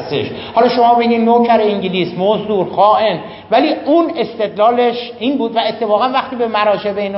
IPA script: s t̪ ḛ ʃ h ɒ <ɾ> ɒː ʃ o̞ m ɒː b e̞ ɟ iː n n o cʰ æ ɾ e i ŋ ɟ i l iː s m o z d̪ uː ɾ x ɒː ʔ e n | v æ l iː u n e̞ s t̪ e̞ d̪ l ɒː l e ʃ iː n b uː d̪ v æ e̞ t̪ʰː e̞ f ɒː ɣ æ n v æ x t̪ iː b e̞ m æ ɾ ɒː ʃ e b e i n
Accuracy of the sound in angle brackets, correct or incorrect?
incorrect